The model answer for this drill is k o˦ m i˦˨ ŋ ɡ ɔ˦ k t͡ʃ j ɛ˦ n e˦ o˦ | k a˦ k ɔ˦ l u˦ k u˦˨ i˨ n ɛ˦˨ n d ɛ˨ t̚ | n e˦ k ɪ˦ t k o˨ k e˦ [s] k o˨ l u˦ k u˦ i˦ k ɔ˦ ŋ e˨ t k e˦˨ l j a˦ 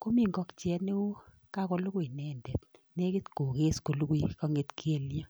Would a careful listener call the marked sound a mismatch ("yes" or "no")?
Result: no